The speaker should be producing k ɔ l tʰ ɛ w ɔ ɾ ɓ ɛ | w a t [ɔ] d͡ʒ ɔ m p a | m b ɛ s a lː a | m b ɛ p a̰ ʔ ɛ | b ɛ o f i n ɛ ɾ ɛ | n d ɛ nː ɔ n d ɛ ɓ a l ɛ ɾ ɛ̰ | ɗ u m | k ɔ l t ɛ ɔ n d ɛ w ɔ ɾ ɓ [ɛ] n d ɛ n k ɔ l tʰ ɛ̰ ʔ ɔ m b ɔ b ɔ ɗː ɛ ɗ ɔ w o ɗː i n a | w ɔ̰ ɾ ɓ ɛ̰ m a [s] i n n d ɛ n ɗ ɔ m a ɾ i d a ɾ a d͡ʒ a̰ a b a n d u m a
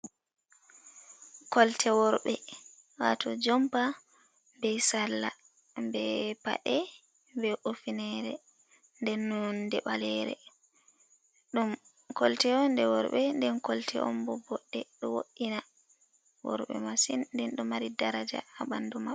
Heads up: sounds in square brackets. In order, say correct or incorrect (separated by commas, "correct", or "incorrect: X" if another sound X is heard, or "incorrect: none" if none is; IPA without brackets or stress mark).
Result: correct, correct, correct